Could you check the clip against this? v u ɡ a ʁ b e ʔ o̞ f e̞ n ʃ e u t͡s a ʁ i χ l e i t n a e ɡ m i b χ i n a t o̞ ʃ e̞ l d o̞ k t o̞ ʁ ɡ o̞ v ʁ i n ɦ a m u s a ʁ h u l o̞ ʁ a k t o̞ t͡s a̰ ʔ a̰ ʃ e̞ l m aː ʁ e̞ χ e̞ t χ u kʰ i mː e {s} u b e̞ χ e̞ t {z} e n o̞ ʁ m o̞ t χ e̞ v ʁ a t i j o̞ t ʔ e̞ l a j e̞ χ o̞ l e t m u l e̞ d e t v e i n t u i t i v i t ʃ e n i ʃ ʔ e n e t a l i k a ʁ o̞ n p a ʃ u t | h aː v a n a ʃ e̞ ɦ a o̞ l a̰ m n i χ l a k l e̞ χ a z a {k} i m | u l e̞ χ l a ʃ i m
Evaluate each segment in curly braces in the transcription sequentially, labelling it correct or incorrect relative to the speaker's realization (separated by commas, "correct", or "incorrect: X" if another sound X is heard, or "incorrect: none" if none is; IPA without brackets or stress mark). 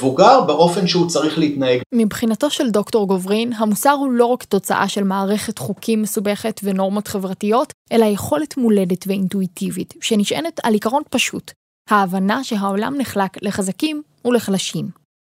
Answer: correct, incorrect: v, correct